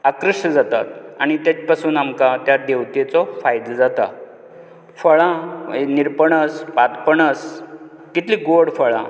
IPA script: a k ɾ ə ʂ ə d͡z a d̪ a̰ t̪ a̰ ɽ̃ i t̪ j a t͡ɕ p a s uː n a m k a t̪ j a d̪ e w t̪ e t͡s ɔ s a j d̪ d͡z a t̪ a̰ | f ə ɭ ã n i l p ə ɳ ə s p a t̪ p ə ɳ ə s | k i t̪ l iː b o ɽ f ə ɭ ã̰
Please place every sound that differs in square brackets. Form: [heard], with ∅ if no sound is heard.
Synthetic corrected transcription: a k ɾ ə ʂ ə d͡z a [t̪] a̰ t̪ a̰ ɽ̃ i t̪ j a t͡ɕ p a s uː n a m k a t̪ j a d̪ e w t̪ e t͡s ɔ [f] a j d̪ d͡z a t̪ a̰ | f ə ɭ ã n i [ɾ] p ə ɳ ə s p a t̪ p ə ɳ ə s | k i t̪ l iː [ɡ] o ɽ f ə ɭ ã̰